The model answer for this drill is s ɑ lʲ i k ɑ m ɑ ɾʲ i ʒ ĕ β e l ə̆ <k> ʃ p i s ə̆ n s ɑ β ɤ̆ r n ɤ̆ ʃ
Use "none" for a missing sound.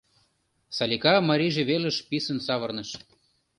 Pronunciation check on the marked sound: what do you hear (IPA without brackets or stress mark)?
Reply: none